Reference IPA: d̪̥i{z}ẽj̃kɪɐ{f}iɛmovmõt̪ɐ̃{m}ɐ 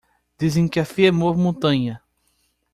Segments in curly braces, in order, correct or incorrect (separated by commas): correct, correct, incorrect